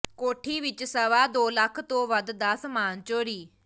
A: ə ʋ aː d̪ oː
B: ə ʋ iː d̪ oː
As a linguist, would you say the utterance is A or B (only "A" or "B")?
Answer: A